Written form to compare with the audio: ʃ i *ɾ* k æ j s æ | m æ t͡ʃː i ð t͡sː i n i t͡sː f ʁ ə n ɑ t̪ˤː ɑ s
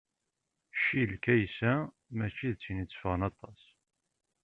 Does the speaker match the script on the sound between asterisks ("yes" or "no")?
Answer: no